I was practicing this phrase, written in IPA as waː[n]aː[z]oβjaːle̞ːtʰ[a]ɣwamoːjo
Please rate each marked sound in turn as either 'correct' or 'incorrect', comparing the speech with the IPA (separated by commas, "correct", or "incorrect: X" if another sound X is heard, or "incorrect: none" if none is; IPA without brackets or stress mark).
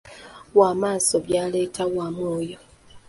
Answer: incorrect: m, incorrect: s, correct